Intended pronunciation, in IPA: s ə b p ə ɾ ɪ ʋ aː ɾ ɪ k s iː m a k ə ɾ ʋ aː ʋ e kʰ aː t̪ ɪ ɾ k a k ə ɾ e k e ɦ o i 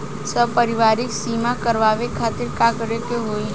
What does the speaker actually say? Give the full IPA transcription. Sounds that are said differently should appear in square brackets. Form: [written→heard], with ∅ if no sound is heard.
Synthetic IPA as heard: s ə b p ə ɾ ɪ ʋ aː ɾ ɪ k s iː m a k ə ɾ ʋ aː ʋ e kʰ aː t̪ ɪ ɾ k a k ə ɾ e k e ɦ o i